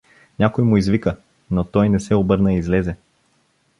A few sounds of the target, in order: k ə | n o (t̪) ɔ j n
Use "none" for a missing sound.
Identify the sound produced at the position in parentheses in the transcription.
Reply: t̪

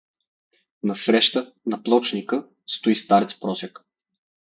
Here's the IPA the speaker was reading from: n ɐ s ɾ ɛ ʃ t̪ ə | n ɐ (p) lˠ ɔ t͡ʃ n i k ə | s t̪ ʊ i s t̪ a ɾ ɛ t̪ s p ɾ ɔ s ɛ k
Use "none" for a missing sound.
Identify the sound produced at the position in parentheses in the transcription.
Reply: p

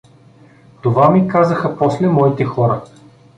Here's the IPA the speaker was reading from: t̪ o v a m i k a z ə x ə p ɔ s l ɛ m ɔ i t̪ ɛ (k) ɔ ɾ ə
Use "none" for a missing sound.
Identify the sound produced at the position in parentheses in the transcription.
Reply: x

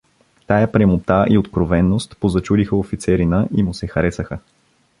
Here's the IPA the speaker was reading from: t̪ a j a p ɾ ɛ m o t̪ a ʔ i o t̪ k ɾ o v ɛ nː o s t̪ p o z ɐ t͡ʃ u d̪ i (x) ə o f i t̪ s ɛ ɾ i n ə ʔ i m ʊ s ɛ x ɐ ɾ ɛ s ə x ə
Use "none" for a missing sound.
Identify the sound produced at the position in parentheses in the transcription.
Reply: x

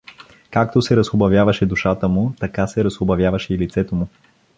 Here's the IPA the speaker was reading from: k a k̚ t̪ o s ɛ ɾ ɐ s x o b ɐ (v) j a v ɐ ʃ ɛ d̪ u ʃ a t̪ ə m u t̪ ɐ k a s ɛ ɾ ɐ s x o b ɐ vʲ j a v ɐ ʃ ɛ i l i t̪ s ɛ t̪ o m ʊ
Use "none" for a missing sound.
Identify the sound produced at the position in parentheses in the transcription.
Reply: v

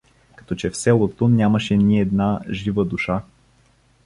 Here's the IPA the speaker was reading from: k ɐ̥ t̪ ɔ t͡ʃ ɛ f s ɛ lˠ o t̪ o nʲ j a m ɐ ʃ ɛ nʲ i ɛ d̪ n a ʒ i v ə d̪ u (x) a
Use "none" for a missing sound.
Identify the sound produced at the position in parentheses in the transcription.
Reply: ʃ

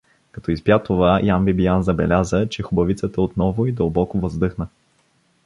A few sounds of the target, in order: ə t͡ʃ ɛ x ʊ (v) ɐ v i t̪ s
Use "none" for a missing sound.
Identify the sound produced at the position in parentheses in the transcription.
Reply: b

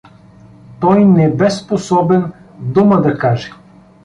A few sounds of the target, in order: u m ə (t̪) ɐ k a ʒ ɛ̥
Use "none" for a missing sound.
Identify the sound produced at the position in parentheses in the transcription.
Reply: d̪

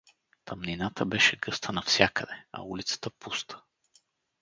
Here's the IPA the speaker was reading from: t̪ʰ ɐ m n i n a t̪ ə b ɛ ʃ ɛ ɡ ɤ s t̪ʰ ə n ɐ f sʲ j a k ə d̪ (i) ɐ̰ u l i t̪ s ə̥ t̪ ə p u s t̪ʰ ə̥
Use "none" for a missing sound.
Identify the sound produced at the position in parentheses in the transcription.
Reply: ɛ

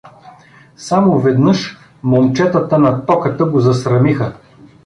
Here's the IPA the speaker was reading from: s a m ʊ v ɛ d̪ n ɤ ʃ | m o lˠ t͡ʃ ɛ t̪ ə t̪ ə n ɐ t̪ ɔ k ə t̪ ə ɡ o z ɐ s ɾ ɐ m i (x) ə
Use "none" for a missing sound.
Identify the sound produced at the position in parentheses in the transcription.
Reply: x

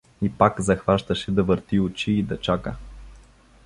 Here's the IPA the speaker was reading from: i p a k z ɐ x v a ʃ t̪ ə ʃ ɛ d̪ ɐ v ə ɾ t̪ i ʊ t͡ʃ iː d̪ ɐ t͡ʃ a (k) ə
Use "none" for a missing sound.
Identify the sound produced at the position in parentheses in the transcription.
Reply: k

